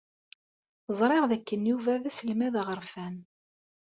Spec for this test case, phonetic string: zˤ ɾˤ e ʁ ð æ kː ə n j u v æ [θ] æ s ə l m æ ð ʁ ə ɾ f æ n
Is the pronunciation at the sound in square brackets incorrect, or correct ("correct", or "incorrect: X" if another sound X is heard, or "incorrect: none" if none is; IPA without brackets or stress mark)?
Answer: incorrect: ð